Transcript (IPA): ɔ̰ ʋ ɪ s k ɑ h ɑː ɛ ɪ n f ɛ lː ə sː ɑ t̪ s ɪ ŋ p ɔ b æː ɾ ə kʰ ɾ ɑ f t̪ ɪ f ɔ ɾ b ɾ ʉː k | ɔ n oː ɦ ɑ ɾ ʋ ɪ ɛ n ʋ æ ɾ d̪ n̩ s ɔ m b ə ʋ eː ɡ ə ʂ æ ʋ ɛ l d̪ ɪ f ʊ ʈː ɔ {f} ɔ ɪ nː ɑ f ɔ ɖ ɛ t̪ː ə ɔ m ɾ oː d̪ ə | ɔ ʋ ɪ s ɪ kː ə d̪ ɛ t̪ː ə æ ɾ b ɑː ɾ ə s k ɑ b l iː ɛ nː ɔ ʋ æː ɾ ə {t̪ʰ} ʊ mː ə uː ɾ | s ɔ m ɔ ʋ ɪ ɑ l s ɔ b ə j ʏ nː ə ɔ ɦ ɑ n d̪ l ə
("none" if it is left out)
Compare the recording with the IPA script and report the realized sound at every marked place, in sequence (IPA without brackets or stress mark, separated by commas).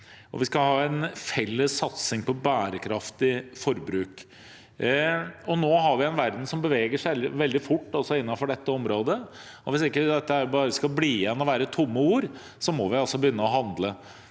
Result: s, t̪ʰ